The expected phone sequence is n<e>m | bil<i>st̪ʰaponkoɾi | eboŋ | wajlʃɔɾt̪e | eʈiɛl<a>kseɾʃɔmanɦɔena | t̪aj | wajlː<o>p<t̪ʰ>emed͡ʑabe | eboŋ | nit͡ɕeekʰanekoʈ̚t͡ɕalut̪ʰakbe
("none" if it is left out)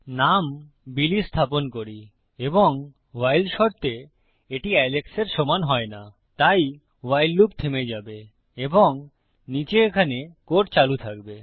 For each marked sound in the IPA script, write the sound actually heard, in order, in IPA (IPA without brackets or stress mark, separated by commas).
a, i, e, u, t̪ʰ